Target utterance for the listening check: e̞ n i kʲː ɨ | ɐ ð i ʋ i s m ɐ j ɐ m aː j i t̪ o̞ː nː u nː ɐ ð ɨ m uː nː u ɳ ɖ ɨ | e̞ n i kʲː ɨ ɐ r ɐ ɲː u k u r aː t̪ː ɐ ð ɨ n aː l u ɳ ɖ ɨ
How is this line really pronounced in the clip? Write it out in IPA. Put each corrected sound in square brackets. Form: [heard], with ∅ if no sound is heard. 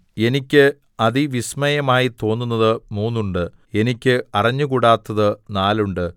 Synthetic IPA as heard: e̞ n i kʲː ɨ | ɐ ð i ʋ i s m ɐ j ɐ m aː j i t̪ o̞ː nː u nː ɐ ð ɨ m uː nː u ɳ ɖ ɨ | e̞ n i kʲː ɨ ɐ r ɐ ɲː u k u [ɽ] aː t̪ː ɐ ð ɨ n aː l u ɳ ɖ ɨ

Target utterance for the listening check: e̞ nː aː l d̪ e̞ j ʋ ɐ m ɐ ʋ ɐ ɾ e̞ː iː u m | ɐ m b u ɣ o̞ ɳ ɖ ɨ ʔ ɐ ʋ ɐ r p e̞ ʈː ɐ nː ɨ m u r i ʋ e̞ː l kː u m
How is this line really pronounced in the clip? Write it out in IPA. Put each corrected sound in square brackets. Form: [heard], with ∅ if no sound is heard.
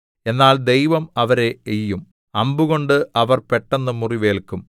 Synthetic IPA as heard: e̞ nː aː l d̪ e̞ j ʋ ɐ m ɐ ʋ ɐ ɾ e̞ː [jː] u m | ɐ m b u ɣ o̞ ɳ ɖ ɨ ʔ ɐ ʋ ɐ r p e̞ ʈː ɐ nː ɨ m u r i ʋ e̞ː l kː u m

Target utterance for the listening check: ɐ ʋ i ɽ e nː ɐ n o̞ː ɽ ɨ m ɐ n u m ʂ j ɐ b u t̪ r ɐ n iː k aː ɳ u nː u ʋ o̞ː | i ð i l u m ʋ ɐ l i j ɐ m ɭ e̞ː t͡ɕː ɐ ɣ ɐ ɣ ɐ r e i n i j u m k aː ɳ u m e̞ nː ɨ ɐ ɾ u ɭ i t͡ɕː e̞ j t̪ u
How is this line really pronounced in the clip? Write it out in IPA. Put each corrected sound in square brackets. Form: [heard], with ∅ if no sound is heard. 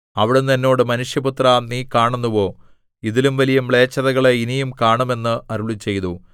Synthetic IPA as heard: ɐ ʋ i ɽ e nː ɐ [nː] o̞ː ɽ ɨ m ɐ n u [∅] ʂ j ɐ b u t̪ r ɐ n iː k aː ɳ u nː u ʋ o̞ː | i ð i l u m ʋ ɐ l i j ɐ m ɭ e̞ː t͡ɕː ɐ [ð] ɐ ɣ ɐ [ɭ] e i n i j u m k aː ɳ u m e̞ nː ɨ ɐ ɾ u ɭ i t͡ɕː e̞ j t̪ u

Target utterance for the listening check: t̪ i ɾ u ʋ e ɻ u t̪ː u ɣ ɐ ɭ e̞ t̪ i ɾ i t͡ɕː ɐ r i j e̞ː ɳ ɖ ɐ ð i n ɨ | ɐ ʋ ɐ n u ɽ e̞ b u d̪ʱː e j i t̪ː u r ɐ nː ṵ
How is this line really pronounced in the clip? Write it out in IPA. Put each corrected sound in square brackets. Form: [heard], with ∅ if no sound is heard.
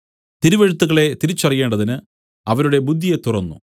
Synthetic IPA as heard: t̪ i ɾ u ʋ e ɻ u t̪ː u ɣ ɐ ɭ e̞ t̪ i ɾ i t͡ɕː ɐ r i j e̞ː ɳ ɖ ɐ ð i n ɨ | ɐ ʋ ɐ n u ɽ e̞ b u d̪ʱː [i] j [e] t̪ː u r ɐ nː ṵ

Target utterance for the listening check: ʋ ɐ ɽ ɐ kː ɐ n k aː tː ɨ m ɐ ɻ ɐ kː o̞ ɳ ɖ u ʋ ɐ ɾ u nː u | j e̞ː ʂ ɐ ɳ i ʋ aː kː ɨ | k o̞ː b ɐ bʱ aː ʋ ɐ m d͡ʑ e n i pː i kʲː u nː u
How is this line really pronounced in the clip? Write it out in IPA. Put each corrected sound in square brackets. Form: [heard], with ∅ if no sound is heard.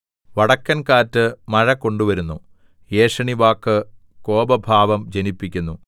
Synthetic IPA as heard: ʋ ɐ ɽ ɐ kː ɐ n k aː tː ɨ m ɐ ɻ ɐ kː o̞ ɳ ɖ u ʋ ɐ ɾ u nː u | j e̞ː ʂ ɐ ɳ i ʋ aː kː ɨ | k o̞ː b ɐ bʱ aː ʋ ɐ m d͡ʑ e n i pː i kʲː u nː u

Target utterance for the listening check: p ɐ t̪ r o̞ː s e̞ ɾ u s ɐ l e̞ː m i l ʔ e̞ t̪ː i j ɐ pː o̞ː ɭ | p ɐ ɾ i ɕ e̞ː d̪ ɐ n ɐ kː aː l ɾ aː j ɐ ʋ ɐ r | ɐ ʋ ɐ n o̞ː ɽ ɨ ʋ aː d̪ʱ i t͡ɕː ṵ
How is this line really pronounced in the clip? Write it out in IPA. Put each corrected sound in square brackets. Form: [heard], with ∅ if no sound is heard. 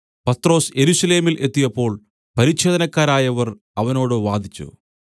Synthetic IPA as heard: p ɐ t̪ r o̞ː s e̞ ɾ u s ɐ l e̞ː m i l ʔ e̞ t̪ː i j ɐ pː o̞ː ɭ | p ɐ ɾ i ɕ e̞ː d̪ ɐ n ɐ kː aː [∅] ɾ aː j ɐ ʋ ɐ r | ɐ ʋ ɐ n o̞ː ɽ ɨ ʋ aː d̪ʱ i t͡ɕː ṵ

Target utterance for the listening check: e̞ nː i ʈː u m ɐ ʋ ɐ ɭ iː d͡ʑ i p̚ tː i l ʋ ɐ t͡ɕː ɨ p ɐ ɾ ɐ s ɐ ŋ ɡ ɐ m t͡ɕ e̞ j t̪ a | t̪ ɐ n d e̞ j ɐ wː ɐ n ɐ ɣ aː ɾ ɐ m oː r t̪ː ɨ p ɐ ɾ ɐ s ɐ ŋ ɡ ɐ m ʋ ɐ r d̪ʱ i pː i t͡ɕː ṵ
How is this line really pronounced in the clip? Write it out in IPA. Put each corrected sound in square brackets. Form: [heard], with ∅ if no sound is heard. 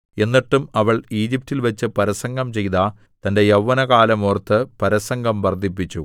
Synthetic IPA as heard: e̞ nː i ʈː u m ɐ ʋ ɐ ɭ iː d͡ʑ i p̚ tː i l ʋ ɐ t͡ɕː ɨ p ɐ ɾ ɐ s ɐ ŋ ɡ ɐ m t͡ɕ e̞ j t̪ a | t̪ ɐ n d e̞ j ɐ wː ɐ n ɐ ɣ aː [l] ɐ m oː r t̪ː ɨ p ɐ ɾ ɐ s ɐ ŋ ɡ ɐ m ʋ ɐ r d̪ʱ i pː i t͡ɕː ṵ

